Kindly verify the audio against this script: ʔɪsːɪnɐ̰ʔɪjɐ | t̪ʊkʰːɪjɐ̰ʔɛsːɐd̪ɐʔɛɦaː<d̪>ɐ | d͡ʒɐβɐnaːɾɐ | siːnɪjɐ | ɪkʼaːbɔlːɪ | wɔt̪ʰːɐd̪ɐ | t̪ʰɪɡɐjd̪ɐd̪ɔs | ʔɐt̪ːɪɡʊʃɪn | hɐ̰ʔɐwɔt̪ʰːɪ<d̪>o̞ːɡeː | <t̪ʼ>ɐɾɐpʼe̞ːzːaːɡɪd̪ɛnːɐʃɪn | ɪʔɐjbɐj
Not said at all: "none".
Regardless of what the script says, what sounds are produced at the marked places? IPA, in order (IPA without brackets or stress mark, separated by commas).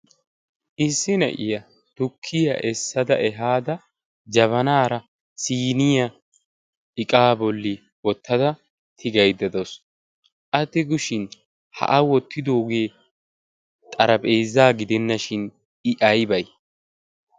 d̪, d̪, t̪ʼ